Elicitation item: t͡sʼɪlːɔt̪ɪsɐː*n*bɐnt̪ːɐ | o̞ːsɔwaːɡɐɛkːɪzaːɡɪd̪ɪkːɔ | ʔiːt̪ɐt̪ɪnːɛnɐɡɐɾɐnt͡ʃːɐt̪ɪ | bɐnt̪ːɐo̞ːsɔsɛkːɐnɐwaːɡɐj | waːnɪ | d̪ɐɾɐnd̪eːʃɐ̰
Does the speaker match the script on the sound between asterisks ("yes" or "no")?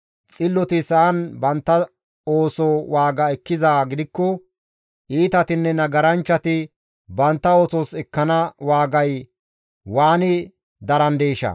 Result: yes